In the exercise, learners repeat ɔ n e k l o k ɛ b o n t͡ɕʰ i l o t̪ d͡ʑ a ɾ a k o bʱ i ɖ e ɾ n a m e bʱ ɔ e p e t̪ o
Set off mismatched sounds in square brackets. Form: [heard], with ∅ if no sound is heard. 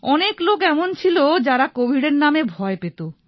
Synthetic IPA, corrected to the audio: ɔ n e k l o k ɛ [m] o n t͡ɕʰ i l o [∅] d͡ʑ a ɾ a k o bʱ i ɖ e ɾ n a m e bʱ ɔ e p e t̪ o